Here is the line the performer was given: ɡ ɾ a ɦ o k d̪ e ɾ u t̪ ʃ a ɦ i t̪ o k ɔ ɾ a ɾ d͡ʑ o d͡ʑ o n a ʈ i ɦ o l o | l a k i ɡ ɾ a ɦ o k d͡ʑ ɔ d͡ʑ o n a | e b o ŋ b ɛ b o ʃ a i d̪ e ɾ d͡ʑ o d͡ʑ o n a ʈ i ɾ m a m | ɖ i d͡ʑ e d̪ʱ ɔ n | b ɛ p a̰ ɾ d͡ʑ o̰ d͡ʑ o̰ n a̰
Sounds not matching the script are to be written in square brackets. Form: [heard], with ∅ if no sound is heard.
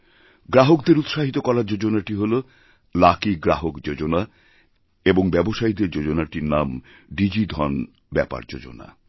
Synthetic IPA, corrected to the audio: ɡ ɾ a ɦ o k d̪ e ɾ u t̪ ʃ a ɦ i t̪ o k ɔ ɾ a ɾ d͡ʑ o d͡ʑ o n a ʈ i ɦ o l o | l a k i ɡ ɾ a ɦ o k d͡ʑ [o] d͡ʑ o n a | e b o ŋ b ɛ b o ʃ a i d̪ e ɾ d͡ʑ o d͡ʑ o n a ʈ i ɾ [n] a m | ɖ i d͡ʑ [i] d̪ʱ ɔ n | b ɛ p a̰ ɾ d͡ʑ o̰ d͡ʑ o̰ n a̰